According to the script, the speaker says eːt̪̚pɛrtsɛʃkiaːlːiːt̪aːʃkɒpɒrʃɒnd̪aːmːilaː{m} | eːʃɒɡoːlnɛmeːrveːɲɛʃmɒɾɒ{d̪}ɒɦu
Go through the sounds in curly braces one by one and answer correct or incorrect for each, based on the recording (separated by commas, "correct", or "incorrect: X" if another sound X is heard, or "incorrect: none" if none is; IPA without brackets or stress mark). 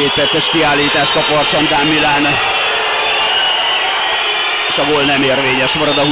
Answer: incorrect: n, correct